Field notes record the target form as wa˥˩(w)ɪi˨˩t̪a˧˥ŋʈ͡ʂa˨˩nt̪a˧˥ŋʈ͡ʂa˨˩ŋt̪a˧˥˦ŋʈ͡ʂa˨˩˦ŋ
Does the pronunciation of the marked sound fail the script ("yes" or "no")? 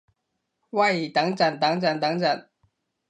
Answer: yes